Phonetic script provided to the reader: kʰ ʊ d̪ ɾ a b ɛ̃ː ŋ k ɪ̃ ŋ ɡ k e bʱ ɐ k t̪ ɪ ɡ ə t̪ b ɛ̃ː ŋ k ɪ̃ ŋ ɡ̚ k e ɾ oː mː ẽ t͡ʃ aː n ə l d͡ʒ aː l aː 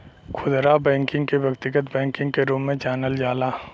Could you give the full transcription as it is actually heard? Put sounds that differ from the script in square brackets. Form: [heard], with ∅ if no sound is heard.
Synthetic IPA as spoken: kʰ ʊ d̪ ɾ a b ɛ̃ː ŋ k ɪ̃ ŋ ɡ k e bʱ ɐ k t̪ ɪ ɡ ə t̪ b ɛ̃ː ŋ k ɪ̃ ŋ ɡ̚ k e ɾ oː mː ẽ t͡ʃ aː n ə l d͡ʒ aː l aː

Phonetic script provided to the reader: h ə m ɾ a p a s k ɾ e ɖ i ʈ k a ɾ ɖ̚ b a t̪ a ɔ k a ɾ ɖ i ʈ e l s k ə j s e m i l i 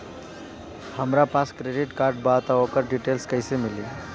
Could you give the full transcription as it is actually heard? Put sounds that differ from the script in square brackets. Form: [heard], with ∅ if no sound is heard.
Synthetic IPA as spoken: h ə m ɾ a p a s k ɾ e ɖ i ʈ k a ɾ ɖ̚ b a t̪ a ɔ k [ə] ɾ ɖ i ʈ e l s k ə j s e m i l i

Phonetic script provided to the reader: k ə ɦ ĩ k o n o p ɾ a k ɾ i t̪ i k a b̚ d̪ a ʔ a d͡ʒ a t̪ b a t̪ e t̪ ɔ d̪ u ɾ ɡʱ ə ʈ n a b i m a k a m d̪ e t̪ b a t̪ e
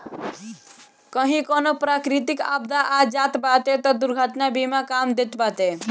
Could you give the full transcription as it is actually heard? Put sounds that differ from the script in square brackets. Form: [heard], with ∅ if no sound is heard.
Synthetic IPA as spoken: k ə ɦ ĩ k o n o p ɾ a k ɾ i t̪ i k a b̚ d̪ a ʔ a d͡ʒ a t̪ b a t̪ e t̪ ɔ d̪ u ɾ ɡʱ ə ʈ n a b i m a k a m d̪ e t̪ b a t̪ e

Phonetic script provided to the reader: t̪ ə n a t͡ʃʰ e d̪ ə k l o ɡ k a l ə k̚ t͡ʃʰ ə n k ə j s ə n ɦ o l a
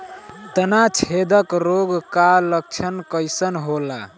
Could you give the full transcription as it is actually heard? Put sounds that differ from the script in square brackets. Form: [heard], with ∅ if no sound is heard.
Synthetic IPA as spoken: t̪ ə n a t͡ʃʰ e d̪ ə k [ɾ] o ɡ k a l ə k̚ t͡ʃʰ ə n k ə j s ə n ɦ o l a

